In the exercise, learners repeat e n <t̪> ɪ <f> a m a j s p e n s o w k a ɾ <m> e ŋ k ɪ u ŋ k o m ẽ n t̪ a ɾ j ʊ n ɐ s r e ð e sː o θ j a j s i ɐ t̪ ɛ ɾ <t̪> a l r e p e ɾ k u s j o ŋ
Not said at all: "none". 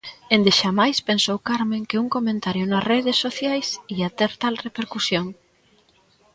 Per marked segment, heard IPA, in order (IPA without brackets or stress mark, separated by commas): d̪, ʃ, m, t̪